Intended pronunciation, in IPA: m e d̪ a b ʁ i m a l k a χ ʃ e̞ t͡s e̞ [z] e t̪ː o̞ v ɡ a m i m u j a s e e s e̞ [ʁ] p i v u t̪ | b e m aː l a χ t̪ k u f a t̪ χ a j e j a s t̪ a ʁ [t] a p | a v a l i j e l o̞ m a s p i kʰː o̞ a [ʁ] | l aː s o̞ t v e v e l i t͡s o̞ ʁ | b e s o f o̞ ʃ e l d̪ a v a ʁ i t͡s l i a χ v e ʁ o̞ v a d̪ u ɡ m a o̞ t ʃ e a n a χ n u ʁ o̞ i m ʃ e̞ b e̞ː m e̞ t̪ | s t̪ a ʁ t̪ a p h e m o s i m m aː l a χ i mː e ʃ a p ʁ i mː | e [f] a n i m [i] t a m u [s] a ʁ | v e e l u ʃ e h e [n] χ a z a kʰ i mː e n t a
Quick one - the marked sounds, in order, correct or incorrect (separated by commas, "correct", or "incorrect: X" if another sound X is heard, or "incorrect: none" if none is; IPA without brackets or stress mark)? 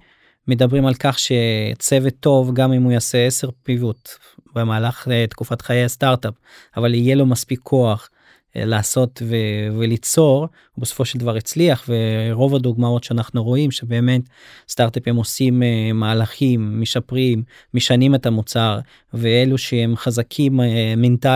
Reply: incorrect: v, correct, correct, incorrect: χ, incorrect: ʃ, incorrect: e, incorrect: t͡s, incorrect: m